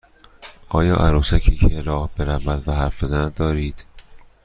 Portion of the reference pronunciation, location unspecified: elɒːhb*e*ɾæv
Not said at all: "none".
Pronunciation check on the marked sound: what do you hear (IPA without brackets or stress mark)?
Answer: e